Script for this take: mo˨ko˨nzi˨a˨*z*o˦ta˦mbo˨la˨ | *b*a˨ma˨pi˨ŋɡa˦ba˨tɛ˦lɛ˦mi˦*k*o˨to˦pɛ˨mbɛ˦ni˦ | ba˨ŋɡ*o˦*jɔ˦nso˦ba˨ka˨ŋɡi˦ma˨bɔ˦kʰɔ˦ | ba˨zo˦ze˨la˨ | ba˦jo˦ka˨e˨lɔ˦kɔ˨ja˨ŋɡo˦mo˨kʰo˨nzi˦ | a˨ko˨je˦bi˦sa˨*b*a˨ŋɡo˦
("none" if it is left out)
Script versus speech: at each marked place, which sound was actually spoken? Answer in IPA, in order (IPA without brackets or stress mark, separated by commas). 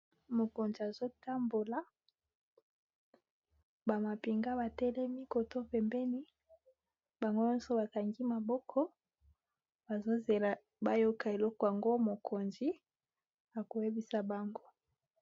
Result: z, b, k, o˦, b